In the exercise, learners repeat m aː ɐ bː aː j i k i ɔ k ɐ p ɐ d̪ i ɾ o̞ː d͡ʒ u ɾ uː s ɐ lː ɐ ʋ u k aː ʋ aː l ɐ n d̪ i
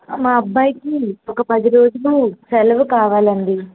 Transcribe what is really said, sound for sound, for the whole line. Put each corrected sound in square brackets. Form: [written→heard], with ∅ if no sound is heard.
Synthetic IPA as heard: m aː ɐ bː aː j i k i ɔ k ɐ p ɐ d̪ i ɾ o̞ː d͡ʒ u [ɾ→l] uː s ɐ [lː→l] ɐ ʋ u k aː ʋ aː l ɐ n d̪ i

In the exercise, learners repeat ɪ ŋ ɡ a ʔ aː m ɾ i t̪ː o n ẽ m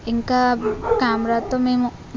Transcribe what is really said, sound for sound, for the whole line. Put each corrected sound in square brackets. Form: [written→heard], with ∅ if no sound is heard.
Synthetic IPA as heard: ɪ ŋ [ɡ→k] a [ʔ→k] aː m ɾ [i→a] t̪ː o [n→m] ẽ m

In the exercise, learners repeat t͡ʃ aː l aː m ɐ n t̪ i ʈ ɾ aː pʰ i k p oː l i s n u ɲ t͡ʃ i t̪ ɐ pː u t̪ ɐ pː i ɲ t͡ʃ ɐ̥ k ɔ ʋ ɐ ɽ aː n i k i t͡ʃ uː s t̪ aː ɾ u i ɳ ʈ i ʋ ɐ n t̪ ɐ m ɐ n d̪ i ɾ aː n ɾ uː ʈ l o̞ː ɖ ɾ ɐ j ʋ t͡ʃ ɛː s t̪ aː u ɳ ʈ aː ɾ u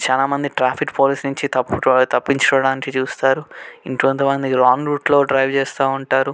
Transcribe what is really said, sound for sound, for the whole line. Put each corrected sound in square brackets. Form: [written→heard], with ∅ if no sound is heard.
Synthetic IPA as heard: t͡ʃ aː l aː m ɐ n [t̪→d̪] i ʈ ɾ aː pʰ i k p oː l i s n u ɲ t͡ʃ i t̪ ɐ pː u t̪ ɐ pː i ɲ t͡ʃ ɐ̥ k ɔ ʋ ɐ ɽ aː n i k i t͡ʃ uː s t̪ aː ɾ u i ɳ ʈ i ʋ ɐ n t̪ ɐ m ɐ n d̪ i ɾ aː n ɾ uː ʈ l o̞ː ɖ ɾ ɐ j ʋ t͡ʃ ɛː s t̪ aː u ɳ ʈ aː ɾ u

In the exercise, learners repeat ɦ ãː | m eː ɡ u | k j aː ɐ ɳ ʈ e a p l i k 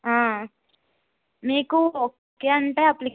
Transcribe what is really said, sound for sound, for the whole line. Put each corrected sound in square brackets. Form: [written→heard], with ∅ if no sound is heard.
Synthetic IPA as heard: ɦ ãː | m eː [ɡ→k] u | k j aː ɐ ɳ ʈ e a p l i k

